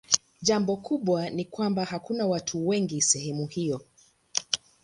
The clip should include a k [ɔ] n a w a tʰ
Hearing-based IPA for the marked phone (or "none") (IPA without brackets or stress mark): u